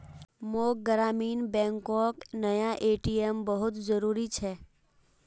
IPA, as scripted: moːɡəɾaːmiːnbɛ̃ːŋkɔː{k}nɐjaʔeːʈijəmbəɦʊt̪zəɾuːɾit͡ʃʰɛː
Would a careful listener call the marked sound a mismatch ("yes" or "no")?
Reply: no